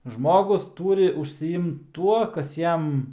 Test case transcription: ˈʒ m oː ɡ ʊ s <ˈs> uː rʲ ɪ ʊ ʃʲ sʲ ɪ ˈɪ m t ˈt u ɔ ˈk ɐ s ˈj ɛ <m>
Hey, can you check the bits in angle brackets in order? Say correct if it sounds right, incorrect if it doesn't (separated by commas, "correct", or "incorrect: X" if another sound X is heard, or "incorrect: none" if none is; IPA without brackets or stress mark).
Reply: incorrect: t, correct